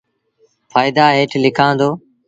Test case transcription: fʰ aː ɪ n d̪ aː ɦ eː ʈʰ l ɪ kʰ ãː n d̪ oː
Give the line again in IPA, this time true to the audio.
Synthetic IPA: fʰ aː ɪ d̪ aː ɦ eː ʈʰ l ɪ kʰ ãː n d̪ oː

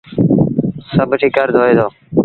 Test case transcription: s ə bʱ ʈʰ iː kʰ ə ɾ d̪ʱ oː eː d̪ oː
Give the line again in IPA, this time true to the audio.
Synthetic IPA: s ə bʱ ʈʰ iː k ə ɾ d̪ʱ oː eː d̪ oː

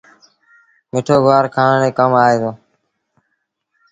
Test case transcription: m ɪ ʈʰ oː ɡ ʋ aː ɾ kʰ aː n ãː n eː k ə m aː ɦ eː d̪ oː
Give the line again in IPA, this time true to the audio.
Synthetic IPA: m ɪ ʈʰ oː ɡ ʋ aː ɾ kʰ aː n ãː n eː k ə m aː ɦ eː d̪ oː

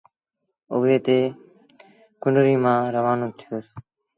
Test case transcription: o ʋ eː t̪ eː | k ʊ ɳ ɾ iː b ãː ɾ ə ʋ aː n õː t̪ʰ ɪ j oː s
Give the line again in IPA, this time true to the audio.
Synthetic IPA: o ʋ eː t̪ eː | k ʊ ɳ ɾ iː m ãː ɾ ə ʋ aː n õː t̪ʰ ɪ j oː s

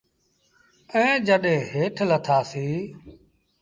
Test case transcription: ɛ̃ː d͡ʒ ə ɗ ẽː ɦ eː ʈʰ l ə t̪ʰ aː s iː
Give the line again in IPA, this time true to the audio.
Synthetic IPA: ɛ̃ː d͡ʒ ə ɗ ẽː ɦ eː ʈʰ l ə t̪ʰ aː s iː

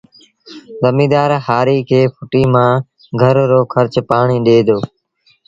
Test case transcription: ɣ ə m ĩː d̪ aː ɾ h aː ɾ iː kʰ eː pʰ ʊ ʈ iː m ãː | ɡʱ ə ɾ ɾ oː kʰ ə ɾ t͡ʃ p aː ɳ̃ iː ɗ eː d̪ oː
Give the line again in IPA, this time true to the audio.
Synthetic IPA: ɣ ə m iː d̪ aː ɾ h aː ɾ iː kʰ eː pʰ ʊ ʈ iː m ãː | ɡʱ ə ɾ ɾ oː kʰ ə ɾ t͡ʃ p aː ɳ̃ iː ɗ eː d̪ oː

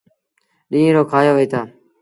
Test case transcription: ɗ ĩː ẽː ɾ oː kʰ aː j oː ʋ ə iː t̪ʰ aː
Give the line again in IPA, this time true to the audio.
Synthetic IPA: ɗ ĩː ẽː ɾ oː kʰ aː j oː ʋ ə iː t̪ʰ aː

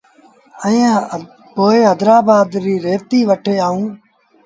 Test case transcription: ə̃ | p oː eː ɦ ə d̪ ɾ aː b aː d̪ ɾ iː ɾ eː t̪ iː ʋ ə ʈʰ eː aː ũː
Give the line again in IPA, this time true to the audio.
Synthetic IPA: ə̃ | p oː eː ɦ ə d̪ ɾ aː b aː d̪ ɾ iː ɾ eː t̪ iː ʋ ə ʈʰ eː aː ũː

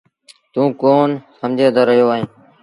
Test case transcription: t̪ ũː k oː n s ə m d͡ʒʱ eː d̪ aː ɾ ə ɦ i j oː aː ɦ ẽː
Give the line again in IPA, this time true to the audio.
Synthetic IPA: t̪ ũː k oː n s ə m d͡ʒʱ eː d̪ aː ɾ ə ɦ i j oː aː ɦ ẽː

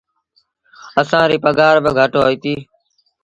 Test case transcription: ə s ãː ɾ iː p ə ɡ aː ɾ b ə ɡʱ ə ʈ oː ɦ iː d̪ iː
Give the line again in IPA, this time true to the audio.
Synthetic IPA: ə s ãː ɾ iː p ə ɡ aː ɾ b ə ɡʱ ə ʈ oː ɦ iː t̪ iː

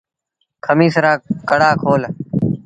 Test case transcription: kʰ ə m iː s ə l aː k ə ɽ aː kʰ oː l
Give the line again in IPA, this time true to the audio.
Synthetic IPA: kʰ ə m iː s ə ɾ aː k ə ɽ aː kʰ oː l

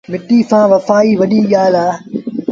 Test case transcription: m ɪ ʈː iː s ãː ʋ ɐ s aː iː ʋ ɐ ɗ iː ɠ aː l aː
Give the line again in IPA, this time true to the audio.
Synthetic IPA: m ɪ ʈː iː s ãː ʋ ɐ f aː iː ʋ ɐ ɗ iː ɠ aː l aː

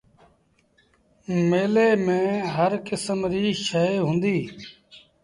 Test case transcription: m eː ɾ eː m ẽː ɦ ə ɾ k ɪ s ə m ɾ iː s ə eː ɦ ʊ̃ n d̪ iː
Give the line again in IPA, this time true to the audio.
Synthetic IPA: m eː l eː m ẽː ɦ ə ɾ k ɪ s ə m ɾ iː ʃ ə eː ɦ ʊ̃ n d̪ iː

